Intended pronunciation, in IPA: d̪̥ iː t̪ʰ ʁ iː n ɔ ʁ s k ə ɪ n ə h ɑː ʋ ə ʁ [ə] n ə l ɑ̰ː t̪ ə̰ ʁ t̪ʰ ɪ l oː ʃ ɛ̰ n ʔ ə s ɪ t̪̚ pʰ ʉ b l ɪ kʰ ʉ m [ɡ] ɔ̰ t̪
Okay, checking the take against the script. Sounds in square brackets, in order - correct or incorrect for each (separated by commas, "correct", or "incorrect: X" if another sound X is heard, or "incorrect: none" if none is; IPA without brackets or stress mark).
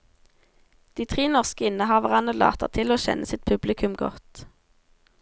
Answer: incorrect: ɑ, correct